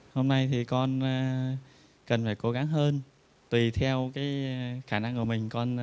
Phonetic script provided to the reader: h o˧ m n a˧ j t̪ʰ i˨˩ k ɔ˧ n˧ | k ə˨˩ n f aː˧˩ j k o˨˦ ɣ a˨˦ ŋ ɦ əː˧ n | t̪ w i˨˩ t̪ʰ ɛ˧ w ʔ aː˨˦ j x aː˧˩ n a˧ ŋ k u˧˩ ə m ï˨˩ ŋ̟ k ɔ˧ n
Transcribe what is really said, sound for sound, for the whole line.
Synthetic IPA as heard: h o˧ m n a˧ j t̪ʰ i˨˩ k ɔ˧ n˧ | k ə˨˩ n f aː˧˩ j k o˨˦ ɣ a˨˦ ŋ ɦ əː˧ n | t̪ w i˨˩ t̪ʰ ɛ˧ w k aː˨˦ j x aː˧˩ n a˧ ŋ k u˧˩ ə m ï˨˩ ŋ̟ k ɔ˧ n